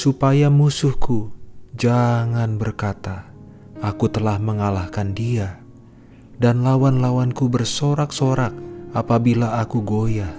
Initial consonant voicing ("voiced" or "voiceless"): voiceless